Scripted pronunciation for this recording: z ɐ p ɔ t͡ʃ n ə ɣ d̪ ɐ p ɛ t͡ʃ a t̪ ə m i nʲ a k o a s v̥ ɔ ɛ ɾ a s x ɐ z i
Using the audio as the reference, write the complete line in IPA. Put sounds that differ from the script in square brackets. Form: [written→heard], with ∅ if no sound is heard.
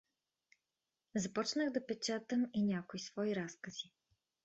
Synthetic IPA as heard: z ɐ p ɔ t͡ʃ n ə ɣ d̪ ɐ p ɛ t͡ʃ a t̪ ə m i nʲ a k o [a→i] s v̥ ɔ [ɛ→i] ɾ a s [x→k] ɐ z i